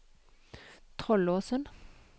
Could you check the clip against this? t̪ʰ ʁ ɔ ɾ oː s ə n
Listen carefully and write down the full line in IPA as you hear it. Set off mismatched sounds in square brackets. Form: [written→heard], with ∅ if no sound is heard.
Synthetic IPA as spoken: t̪ʰ ʁ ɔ [ɾ→l] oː s ə n